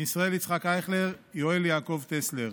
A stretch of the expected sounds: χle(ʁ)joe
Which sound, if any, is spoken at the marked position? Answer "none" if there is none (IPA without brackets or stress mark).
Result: ʁ